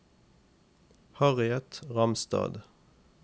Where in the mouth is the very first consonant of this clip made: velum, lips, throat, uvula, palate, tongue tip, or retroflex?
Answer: throat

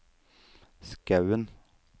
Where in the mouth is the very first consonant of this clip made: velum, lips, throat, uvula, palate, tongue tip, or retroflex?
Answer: tongue tip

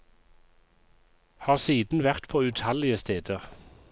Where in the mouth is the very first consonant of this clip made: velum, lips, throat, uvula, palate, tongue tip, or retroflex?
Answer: throat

